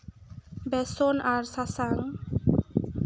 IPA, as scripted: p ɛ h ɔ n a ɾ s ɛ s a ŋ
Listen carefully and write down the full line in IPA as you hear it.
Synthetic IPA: b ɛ s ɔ n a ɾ s a s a ŋ